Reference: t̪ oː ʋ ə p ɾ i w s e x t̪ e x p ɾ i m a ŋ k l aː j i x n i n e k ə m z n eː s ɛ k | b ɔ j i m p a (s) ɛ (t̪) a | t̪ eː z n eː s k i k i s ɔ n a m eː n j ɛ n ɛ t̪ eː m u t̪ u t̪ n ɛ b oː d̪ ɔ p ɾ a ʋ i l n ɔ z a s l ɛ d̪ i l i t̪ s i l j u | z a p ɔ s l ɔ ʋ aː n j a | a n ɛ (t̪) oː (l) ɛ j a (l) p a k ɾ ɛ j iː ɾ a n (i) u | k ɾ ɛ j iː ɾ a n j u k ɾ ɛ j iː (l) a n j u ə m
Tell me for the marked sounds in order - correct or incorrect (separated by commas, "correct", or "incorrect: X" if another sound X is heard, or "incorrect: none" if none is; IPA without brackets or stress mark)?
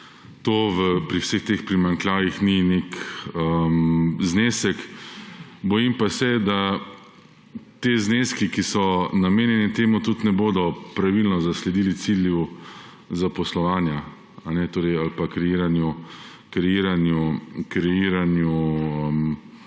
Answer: correct, incorrect: d̪, correct, incorrect: ɾ, correct, incorrect: j, incorrect: ɾ